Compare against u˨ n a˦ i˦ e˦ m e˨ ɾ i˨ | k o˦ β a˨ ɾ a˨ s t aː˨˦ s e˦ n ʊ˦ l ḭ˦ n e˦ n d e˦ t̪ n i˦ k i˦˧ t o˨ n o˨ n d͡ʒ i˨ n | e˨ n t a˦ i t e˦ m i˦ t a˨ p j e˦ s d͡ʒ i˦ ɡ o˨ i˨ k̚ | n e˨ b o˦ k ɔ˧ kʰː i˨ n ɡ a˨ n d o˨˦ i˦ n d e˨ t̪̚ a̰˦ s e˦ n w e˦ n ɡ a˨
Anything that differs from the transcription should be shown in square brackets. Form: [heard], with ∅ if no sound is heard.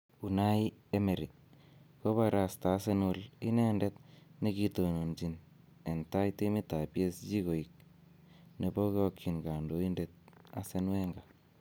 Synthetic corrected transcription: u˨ n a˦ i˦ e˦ m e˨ ɾ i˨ | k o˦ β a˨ ɾ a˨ s t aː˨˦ s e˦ n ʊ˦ l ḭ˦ n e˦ n d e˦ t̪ n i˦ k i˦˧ t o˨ n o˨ n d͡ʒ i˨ n | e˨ n t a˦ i t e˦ m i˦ t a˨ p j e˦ s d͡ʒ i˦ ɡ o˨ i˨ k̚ | n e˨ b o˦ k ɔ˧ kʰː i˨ n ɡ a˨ n d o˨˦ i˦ n d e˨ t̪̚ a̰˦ s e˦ n w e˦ [ŋ] ɡ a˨